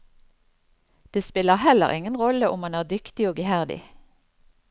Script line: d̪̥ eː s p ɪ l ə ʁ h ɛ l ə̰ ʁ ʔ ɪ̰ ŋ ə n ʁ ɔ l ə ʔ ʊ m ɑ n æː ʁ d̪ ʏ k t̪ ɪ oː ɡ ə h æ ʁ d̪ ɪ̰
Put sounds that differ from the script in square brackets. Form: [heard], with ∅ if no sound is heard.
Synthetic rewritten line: d̪̥ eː s p ɪ l ə ʁ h ɛ l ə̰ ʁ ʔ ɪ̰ ŋ ə n ʁ ɔ l ə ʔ ʊ m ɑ n æː ʁ d̪ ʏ k t̪ ɪ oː ɡ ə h æ ʁ d̪ ɪ̰